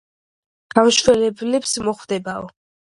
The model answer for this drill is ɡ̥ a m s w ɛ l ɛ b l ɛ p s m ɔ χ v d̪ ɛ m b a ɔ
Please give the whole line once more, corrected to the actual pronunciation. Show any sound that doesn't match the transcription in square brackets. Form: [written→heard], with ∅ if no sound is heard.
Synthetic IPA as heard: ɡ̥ a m [s→ʃ] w ɛ l ɛ b l ɛ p s m ɔ χ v d̪ ɛ [m→∅] b a ɔ